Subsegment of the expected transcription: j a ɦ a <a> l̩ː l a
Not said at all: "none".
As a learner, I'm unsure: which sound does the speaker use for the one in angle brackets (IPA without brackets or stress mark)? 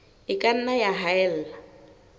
ɛ